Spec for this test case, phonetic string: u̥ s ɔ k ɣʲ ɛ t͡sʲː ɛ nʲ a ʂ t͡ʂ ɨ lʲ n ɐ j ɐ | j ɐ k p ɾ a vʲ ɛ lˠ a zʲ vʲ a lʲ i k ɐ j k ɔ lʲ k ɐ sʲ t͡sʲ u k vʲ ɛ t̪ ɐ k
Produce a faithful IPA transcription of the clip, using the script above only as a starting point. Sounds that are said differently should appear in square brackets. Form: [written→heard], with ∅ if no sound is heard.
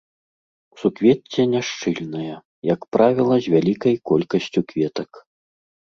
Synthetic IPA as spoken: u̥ s [ɔ→u] k [ɣʲ→vʲ] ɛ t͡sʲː ɛ nʲ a ʂ t͡ʂ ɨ lʲ n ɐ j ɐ | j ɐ k p ɾ a vʲ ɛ lˠ [a→ɐ] zʲ vʲ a lʲ i k ɐ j k ɔ lʲ k ɐ sʲ t͡sʲ u k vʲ ɛ t̪ ɐ k